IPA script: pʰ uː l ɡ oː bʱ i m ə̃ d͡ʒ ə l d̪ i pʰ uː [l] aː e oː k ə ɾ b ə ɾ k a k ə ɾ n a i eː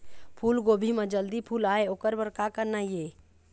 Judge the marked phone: correct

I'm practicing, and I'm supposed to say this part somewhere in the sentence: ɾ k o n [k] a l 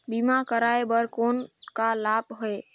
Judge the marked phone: correct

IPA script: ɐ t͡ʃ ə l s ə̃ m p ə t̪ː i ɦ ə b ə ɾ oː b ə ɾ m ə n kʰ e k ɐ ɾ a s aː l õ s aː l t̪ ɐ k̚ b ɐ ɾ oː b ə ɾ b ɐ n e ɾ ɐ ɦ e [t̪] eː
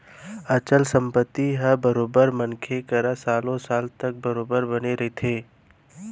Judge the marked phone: incorrect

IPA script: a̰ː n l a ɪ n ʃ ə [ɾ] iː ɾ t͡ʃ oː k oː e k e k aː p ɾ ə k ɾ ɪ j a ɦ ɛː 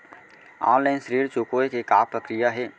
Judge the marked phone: correct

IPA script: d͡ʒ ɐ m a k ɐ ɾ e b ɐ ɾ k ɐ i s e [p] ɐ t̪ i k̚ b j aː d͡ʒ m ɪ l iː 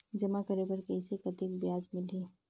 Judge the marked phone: incorrect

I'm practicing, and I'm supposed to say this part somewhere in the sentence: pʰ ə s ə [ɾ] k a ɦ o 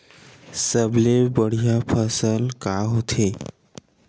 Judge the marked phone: incorrect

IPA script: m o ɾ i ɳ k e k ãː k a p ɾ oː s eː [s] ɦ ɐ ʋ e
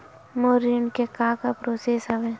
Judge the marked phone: correct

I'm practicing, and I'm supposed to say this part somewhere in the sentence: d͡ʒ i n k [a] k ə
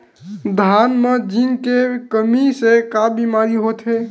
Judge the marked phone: incorrect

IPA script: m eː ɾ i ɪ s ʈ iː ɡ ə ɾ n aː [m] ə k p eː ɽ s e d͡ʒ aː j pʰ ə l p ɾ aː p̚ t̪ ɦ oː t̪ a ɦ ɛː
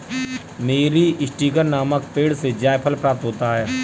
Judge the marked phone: correct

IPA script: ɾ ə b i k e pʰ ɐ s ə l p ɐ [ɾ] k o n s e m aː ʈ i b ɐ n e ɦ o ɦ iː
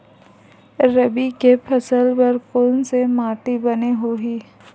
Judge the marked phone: correct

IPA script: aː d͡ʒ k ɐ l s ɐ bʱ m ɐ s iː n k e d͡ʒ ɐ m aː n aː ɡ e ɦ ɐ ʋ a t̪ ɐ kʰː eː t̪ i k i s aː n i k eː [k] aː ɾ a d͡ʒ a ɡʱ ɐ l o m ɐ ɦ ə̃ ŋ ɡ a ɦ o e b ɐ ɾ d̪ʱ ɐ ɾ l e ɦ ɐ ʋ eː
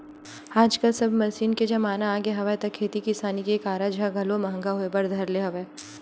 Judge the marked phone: correct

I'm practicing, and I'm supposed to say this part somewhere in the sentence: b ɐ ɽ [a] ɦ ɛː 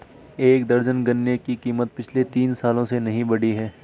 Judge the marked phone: incorrect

